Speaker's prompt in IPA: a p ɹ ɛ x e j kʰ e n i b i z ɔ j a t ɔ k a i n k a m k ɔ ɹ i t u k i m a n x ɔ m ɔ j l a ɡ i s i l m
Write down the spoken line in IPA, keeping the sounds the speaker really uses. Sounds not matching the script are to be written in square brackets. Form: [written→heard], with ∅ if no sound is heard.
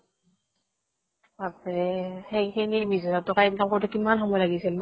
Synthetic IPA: a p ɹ ɛ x e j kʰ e n i b i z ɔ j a t ɔ k a i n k a m k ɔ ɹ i t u k i m a n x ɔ m ɔ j l a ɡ i s i l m